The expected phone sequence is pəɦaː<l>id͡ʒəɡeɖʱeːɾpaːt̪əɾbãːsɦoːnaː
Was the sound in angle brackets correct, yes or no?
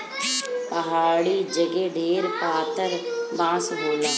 no